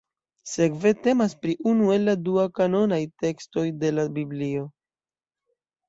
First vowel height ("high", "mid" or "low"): mid